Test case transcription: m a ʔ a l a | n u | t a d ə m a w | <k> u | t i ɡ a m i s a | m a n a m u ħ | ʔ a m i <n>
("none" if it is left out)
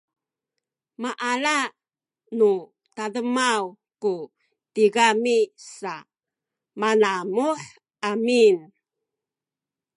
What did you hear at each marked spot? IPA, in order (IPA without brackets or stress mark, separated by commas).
k, n